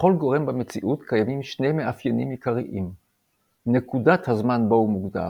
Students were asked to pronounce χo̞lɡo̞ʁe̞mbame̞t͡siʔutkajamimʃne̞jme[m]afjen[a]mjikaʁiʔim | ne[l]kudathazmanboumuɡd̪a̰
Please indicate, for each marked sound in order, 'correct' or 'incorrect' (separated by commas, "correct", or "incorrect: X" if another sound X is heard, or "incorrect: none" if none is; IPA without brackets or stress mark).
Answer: incorrect: none, incorrect: i, incorrect: none